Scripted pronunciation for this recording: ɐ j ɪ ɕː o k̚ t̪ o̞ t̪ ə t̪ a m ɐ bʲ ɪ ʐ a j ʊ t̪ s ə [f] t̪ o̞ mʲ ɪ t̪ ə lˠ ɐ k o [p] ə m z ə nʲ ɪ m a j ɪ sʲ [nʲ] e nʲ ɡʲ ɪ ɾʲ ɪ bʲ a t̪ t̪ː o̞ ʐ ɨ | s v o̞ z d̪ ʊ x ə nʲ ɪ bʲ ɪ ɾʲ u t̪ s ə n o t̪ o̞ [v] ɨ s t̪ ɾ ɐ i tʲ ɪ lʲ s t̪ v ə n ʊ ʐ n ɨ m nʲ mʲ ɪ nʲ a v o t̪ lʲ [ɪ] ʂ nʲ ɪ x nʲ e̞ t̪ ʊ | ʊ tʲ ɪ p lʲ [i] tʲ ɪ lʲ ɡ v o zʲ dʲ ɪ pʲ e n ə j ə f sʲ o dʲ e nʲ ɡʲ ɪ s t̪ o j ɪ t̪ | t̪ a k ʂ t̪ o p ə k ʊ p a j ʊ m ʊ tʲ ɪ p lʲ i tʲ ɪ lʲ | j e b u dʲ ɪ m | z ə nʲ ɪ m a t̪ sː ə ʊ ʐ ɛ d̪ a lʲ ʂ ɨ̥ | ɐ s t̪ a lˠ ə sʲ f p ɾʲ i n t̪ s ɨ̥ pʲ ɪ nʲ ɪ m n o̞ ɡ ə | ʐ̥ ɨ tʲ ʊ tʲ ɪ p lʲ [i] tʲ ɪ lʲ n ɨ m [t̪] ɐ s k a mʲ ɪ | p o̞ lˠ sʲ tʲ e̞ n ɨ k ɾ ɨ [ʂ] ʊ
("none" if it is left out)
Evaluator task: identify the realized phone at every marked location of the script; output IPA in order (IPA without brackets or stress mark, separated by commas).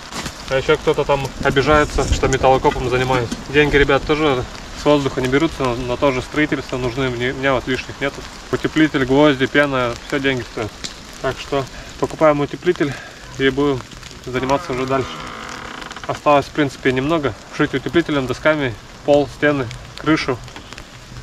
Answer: ʂ, p, dʲ, ʐ, i, i, i, d̪, ʂ